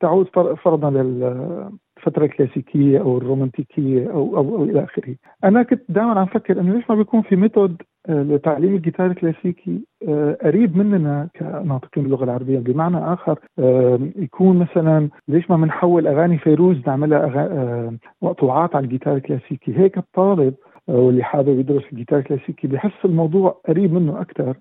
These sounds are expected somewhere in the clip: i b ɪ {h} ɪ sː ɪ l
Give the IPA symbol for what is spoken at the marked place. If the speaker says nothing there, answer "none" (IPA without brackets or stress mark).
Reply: ħ